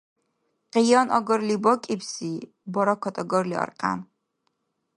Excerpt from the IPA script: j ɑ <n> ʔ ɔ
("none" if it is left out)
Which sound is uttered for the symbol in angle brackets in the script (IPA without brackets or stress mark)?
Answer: n